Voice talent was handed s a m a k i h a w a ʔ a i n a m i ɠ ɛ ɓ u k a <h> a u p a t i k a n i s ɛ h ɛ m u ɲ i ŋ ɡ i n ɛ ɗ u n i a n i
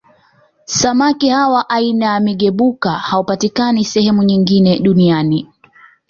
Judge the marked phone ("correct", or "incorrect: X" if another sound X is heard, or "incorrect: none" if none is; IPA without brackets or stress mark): correct